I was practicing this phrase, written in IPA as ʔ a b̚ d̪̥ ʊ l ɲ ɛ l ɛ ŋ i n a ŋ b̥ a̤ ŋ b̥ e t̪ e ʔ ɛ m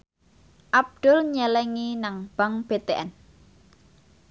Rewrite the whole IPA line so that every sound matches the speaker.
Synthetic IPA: ʔ a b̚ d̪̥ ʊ l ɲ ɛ l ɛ ŋ i n a ŋ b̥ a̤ ŋ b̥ e t̪ e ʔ ɛ n

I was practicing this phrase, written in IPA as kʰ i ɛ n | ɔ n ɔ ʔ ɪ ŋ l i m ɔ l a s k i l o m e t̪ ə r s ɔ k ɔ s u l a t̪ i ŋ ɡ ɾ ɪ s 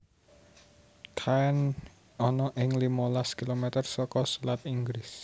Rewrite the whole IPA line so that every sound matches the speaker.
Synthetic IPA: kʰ a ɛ n | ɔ n ɔ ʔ ɪ ŋ l i m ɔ l a s k i l o m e t̪ ə r s ɔ k ɔ s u l a t̪ i ŋ ɡ ɾ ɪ s

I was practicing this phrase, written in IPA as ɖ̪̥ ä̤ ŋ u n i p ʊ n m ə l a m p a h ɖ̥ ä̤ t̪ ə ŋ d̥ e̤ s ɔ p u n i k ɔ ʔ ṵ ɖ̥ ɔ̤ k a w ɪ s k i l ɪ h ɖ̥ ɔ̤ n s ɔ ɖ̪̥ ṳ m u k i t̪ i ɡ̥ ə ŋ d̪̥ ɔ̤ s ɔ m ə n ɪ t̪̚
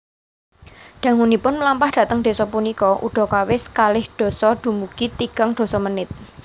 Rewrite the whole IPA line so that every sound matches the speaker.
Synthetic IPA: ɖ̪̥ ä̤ ŋ u n i p ʊ n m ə l a m p a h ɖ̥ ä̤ t̪ ə ŋ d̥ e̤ s ɔ p u n i k ɔ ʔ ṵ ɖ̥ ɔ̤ k a w ɪ s k a l ɪ h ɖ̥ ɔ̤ s ɔ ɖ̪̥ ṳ m u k i t̪ i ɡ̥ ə ŋ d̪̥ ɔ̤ s ɔ m ə n ɪ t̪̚

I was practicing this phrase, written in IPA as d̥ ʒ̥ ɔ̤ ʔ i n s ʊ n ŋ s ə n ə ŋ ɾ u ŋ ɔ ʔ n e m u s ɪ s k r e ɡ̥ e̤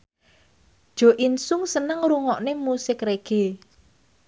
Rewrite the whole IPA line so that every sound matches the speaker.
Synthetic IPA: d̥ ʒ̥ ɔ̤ ʔ i n s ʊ ŋ s ə n ə ŋ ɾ u ŋ ɔ ʔ n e m u s ɪ k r e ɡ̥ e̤

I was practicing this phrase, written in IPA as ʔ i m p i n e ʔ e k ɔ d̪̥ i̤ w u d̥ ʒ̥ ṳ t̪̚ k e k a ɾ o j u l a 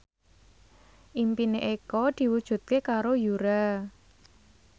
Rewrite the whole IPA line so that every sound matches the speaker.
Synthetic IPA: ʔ i m p i n e ʔ e k ɔ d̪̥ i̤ w u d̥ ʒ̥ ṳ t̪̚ k e k a ɾ o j u ɾ a

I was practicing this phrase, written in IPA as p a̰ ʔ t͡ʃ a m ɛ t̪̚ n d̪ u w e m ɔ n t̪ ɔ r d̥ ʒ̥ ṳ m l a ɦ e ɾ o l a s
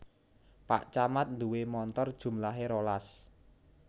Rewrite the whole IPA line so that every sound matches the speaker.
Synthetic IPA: p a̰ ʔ t͡ʃ a m a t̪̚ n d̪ u w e m ɔ n t̪ ɔ r d̥ ʒ̥ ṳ m l a ɦ e ɾ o l a s

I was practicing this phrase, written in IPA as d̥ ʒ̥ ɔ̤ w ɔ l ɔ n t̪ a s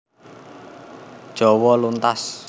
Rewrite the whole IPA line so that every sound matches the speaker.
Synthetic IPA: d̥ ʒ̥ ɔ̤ w ɔ l u n t̪ a s

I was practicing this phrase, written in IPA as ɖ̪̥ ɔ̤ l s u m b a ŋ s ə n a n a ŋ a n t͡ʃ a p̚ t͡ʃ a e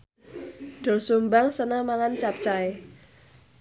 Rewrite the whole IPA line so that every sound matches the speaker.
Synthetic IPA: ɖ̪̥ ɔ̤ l s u m b a ŋ s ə n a m a ŋ a n t͡ʃ a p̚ t͡ʃ a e

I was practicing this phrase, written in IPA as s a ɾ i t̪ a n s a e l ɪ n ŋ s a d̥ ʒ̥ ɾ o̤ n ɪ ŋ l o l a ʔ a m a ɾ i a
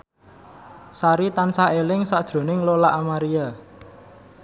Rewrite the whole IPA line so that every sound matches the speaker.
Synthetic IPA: s a ɾ i t̪ a n s a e l ɪ ŋ s a d̥ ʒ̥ ɾ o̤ n ɪ ŋ l o l a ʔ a m a ɾ i a

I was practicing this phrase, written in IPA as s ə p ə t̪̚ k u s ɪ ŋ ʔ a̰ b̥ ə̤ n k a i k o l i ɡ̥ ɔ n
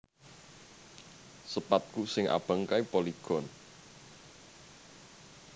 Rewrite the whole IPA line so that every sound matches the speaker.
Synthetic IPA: s ə p a t̪̚ k u s ɪ ŋ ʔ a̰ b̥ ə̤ ŋ k a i p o l i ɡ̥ ɔ n

